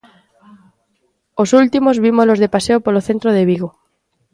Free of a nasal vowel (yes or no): yes